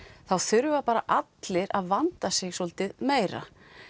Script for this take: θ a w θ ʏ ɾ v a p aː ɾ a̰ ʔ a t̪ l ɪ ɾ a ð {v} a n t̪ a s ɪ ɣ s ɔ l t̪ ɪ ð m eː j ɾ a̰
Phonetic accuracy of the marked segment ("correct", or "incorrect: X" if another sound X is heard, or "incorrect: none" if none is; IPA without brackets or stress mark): correct